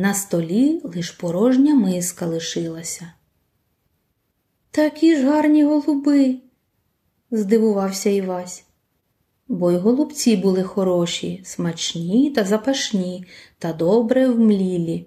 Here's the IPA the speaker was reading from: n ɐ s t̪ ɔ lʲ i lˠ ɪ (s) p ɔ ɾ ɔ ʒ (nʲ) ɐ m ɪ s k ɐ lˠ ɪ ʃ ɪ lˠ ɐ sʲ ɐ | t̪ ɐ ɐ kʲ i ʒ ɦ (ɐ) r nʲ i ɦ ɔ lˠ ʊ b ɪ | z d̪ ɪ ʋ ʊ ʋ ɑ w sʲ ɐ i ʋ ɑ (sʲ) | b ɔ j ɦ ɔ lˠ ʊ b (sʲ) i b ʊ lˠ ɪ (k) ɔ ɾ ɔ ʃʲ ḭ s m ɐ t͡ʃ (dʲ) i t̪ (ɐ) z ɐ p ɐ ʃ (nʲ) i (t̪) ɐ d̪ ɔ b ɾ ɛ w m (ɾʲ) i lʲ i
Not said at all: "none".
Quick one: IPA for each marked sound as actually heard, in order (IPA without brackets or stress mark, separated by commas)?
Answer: ʃ, nʲ, ɑ, sʲ, t͡sʲ, x, nʲ, ɐ, nʲ, t̪, lʲ